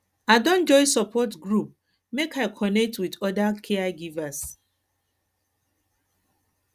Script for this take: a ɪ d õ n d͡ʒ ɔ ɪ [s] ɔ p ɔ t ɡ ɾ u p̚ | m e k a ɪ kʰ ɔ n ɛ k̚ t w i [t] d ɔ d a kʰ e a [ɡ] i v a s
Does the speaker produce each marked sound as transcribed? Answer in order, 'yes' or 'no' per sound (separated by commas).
yes, no, yes